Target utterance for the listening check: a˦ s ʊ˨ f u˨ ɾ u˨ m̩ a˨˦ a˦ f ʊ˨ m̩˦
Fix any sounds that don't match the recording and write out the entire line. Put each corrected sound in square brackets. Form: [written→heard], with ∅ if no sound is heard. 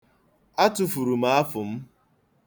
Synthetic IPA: a˦ [s→t] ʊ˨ f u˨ ɾ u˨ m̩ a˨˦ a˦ f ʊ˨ m̩˦